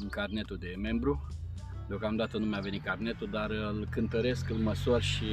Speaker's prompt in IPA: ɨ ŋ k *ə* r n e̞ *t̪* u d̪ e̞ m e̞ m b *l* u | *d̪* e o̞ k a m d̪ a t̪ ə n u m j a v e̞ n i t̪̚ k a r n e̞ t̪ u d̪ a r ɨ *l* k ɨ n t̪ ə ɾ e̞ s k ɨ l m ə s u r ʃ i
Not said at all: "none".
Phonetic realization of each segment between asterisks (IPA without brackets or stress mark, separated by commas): a, t̪, ɾ, d̪, l